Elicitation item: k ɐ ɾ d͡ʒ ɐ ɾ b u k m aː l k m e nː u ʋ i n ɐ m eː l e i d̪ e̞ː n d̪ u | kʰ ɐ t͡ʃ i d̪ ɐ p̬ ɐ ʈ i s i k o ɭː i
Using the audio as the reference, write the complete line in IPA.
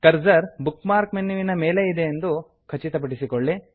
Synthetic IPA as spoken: k ɐ ɾ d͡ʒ ɐ ɾ b u k m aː ɾ k m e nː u ʋ i n ɐ m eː l e i d̪ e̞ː n d̪ u | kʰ ɐ t͡ʃ i t̪ ɐ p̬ ɐ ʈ i s i k o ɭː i